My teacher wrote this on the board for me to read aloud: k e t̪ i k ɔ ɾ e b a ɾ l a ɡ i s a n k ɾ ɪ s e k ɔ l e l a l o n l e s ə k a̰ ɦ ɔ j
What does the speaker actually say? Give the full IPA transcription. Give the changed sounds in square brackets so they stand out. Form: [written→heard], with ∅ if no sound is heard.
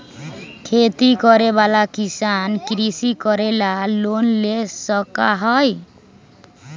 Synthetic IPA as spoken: [k→kʰ] e t̪ i k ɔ ɾ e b a [ɾ→∅] l a [ɡ→k] i s a n k ɾ [ɪ→i] s [e→i] k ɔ [l→ɾ] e l a l o n l e s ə k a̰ ɦ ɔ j